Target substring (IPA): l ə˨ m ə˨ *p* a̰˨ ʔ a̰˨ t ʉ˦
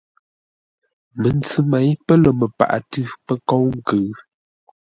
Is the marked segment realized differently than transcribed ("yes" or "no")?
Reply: no